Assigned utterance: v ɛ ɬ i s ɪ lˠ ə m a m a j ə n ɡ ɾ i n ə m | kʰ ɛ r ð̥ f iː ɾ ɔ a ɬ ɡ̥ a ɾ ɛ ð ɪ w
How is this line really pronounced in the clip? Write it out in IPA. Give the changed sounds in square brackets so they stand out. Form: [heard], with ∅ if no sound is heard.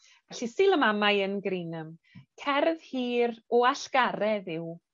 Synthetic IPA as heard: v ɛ ɬ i s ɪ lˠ ə m a m a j ə n ɡ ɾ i n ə m | kʰ ɛ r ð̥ [h] iː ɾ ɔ a ɬ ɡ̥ a ɾ ɛ ð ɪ w

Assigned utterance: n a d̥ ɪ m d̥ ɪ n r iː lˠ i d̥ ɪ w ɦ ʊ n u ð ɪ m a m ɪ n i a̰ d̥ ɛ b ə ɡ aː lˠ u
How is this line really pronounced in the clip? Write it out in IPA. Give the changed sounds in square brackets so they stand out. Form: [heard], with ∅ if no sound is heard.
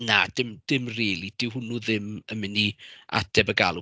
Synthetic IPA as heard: n a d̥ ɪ m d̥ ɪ [m] r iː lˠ i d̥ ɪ w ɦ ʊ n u ð ɪ m [ə] m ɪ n i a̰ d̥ ɛ b ə ɡ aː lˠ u

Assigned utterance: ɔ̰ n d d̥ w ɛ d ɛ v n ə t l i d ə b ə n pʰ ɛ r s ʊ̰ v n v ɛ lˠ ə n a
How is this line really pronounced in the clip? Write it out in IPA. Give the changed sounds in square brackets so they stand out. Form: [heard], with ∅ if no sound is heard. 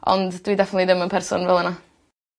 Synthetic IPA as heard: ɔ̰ n d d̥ w [i] d ɛ [f] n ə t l i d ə [m] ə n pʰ ɛ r s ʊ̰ [∅] n v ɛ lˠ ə n a

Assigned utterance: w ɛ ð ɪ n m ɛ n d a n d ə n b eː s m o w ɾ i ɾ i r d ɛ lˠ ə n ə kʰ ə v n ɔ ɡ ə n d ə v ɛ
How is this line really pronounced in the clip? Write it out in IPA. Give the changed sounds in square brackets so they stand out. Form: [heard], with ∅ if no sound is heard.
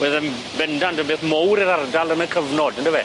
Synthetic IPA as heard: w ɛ ð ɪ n [b] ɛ n d a n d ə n b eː [θ] m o w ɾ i ɾ [a] r d [a] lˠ ə n ə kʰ ə v n ɔ [d] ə n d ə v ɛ

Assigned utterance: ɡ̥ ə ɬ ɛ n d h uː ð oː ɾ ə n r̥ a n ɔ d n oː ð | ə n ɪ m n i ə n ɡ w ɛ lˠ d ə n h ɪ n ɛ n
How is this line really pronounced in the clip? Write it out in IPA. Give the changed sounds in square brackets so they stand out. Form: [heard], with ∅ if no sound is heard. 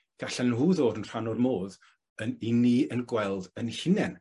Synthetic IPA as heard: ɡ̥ [a] ɬ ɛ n [n] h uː ð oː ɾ ə n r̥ a n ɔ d [m] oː ð | ə n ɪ [∅] n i ə n ɡ w ɛ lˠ d ə n h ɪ n ɛ n

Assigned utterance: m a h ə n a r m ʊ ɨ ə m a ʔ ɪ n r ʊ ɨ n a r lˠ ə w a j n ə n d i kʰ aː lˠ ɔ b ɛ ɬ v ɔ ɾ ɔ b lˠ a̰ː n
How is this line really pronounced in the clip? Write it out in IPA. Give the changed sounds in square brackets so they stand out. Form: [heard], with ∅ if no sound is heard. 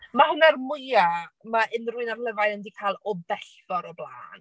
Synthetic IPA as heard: m a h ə n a r m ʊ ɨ [a] m a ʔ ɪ n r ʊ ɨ n a r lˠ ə [v] a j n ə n d i kʰ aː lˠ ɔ b ɛ ɬ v ɔ ɾ ɔ b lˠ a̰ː n

